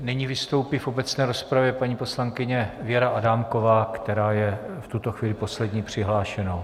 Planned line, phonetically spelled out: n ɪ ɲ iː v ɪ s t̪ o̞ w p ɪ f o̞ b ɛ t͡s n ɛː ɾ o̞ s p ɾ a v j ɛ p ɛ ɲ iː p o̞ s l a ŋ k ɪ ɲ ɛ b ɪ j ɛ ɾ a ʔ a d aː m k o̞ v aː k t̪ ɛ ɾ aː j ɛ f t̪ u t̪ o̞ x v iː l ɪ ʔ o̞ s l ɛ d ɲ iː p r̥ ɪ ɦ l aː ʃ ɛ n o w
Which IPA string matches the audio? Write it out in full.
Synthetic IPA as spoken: n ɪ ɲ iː v ɪ s t̪ o̞ w p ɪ f o̞ b ɛ t͡s n ɛː ɾ o̞ s p ɾ a v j ɛ p a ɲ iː p o̞ s l a ŋ k ɪ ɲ ɛ v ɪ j ɛ ɾ a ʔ a d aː m k o̞ v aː k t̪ ɛ ɾ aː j ɛ f t̪ u t̪ o̞ x v iː l ɪ p o̞ s l ɛ d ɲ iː p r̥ ɪ ɦ l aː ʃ ɛ n o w